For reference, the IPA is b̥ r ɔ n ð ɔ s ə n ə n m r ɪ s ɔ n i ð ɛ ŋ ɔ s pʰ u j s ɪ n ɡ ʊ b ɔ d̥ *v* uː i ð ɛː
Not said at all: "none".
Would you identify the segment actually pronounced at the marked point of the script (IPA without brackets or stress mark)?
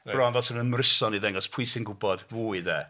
v